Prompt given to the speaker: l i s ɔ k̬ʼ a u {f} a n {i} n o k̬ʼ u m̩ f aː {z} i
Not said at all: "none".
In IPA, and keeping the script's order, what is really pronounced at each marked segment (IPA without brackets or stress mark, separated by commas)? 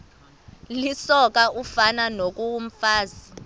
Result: f, a, z